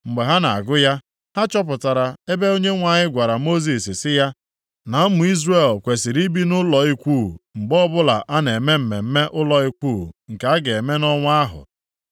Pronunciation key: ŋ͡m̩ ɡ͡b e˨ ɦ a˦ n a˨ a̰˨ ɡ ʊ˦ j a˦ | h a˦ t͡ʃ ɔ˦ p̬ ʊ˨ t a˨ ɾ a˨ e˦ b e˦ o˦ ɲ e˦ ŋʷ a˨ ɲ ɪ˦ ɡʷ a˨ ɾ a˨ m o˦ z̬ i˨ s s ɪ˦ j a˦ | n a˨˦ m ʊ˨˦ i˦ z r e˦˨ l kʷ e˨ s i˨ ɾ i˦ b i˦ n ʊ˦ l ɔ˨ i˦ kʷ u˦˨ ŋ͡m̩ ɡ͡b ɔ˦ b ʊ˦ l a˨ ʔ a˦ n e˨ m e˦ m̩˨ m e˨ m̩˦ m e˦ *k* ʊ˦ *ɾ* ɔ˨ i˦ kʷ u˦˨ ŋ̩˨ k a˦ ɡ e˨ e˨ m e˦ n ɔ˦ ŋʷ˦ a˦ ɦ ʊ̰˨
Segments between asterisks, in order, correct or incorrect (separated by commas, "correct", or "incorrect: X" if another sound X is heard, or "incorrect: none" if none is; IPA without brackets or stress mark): incorrect: ʔ, incorrect: l